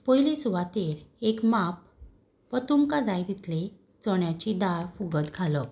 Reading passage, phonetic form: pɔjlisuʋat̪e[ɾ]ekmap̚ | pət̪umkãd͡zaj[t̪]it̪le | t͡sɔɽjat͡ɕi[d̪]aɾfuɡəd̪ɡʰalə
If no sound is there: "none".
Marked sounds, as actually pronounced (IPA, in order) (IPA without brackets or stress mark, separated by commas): ɾ, d̪, d̪